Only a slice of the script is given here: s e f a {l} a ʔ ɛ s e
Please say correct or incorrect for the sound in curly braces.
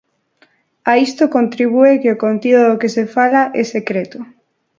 correct